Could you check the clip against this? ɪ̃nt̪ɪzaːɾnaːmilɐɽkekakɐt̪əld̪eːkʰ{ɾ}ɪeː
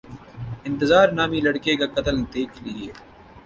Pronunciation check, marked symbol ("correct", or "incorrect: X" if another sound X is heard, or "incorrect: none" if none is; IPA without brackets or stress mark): incorrect: l